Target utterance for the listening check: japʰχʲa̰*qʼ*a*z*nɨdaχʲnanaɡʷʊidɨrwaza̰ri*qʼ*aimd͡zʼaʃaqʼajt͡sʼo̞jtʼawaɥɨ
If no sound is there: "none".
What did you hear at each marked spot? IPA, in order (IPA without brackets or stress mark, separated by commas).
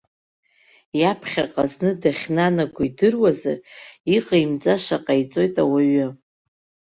qʼ, z, qʼ